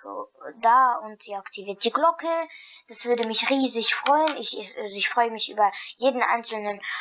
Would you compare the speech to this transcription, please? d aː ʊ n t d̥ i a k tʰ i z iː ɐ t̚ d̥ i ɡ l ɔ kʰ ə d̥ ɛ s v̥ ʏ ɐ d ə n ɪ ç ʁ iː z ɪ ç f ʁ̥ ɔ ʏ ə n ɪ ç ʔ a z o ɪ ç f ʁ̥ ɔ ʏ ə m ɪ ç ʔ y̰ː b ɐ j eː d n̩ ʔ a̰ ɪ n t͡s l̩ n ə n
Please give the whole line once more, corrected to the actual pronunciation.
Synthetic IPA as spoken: d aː ʊ n t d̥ i a k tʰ i v iː ɐ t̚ d̥ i ɡ l ɔ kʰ ə d̥ a s v̥ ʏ ɐ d ə m ɪ ç ʁ iː z ɪ ç f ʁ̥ ɔ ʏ ə n ɪ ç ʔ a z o ɪ ç f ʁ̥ ɔ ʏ ə m ɪ ç ʔ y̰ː b ɐ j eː d n̩ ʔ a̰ ɪ n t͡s l̩ n ə n